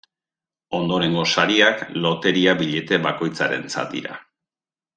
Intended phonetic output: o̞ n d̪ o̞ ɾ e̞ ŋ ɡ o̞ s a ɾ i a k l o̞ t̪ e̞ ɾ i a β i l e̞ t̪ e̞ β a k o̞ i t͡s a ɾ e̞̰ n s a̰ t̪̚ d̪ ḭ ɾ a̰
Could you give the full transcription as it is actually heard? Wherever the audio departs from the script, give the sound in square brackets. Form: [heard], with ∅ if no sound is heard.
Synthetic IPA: o̞ n d̪ o̞ ɾ e̞ ŋ ɡ o̞ s a ɾ i a k l o̞ t̪ e̞ ɾ i a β i [ʎ] e̞ t̪ e̞ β a k o̞ [j] t͡s a ɾ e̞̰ n [t͡s] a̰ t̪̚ d̪ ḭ ɾ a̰